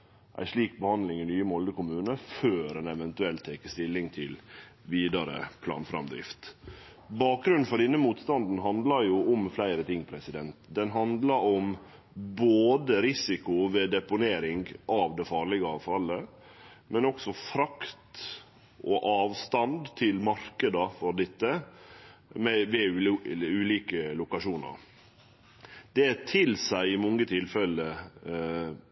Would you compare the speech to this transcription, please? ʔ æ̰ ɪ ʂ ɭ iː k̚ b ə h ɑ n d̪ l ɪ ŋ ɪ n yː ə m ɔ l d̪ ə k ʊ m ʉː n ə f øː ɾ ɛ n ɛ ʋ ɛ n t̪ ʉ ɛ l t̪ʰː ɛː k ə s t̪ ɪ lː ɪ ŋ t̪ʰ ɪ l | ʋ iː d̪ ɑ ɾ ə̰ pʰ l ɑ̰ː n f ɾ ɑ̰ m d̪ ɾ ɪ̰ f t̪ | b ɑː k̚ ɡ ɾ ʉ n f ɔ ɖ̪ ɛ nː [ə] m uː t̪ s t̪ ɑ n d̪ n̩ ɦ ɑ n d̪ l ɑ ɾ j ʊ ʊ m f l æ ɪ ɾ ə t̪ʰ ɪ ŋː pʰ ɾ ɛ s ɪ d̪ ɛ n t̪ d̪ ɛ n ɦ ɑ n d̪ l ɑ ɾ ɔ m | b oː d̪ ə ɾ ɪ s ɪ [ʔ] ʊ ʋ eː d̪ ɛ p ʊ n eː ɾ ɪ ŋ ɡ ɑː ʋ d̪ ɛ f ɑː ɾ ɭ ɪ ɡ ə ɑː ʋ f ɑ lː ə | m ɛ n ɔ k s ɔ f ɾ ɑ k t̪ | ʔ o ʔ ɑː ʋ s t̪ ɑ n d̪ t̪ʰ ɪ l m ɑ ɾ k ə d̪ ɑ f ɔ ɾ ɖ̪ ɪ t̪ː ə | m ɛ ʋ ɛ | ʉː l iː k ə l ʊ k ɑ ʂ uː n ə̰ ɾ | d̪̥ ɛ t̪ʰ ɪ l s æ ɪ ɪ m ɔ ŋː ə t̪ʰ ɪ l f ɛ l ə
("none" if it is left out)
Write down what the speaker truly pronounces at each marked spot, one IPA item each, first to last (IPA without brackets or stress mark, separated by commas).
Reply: ə, k